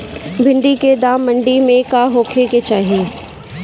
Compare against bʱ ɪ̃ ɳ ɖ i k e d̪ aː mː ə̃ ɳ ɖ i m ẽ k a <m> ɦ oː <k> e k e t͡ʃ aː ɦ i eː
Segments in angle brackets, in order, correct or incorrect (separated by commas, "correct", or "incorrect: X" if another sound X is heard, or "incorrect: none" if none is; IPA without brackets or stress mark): incorrect: none, incorrect: kʰ